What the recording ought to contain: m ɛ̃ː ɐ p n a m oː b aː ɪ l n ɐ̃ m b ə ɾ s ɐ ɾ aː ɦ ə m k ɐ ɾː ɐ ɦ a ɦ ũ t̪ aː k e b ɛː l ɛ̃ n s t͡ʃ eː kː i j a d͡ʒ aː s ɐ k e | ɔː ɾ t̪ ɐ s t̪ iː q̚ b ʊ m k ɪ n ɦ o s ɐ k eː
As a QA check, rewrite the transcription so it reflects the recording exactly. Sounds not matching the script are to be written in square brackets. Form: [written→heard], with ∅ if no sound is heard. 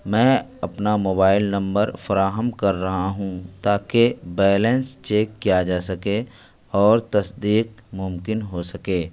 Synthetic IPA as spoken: m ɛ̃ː ɐ p n a m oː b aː ɪ l n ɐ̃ m b ə ɾ [s→f] ɐ ɾ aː ɦ ə m k ɐ ɾː ɐ ɦ a ɦ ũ t̪ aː k e b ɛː l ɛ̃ n s t͡ʃ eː kː i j a d͡ʒ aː s ɐ k e | ɔː ɾ t̪ ɐ s [t̪→d̪] iː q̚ [b→m] ʊ m k ɪ n ɦ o s ɐ k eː